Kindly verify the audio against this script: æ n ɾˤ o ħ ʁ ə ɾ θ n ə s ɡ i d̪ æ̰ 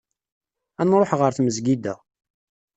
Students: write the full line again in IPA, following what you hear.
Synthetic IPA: æ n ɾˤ o ħ ʁ ə ɾ θ m ə z ɡ i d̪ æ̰